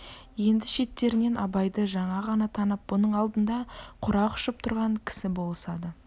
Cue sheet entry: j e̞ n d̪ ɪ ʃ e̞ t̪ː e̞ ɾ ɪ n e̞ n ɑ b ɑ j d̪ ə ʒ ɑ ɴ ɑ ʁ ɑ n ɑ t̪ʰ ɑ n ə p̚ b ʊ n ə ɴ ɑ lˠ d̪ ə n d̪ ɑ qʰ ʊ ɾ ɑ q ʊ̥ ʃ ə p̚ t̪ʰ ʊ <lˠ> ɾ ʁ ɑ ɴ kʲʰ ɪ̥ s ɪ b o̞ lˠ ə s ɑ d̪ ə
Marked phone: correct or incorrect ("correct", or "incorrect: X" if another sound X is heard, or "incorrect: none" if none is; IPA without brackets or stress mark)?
incorrect: none